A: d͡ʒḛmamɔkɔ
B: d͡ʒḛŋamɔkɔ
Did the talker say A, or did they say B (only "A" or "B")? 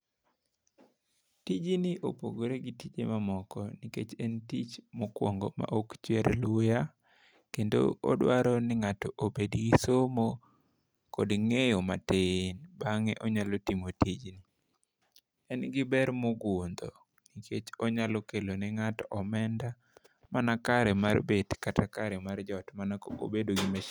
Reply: A